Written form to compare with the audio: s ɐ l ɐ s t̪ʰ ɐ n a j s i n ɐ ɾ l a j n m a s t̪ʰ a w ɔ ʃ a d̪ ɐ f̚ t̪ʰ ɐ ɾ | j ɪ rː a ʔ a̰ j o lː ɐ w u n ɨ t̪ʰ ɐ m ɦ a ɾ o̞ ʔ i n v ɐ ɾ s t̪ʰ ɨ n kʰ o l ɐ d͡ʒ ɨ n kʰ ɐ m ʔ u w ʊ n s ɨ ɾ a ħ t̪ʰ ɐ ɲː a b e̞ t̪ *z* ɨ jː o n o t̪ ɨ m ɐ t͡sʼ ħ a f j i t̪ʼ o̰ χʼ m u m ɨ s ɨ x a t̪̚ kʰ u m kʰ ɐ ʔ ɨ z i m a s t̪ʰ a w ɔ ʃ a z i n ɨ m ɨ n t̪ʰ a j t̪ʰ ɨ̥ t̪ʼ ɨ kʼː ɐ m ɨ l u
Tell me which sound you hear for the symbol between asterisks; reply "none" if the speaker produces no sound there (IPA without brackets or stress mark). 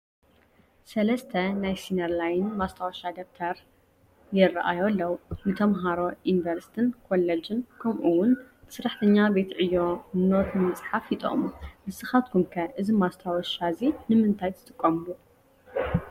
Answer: ʕ